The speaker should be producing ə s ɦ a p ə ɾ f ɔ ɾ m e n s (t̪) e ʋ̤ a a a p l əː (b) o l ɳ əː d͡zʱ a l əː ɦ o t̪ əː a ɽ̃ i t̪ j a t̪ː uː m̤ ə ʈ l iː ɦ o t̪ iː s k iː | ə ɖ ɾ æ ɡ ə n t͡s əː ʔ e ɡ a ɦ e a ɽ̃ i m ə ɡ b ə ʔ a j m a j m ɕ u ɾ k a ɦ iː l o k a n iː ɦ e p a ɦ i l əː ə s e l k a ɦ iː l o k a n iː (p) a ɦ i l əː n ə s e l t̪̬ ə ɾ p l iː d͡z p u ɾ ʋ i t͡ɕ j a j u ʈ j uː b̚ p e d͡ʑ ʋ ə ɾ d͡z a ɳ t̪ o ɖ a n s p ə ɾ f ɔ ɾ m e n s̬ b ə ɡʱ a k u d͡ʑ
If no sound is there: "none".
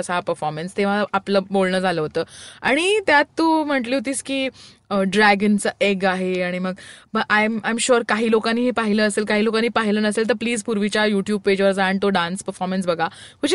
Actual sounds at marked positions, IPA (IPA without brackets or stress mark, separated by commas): t̪, b, p